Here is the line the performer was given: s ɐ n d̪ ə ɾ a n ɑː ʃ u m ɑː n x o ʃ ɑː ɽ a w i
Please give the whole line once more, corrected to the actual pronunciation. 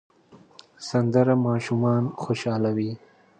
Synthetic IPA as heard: s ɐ n d̪ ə ɾ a m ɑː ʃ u m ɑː n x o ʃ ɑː l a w i